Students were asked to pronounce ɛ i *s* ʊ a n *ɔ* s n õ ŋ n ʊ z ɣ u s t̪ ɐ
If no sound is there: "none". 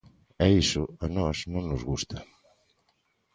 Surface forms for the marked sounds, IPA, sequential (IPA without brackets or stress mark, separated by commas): s, ɔ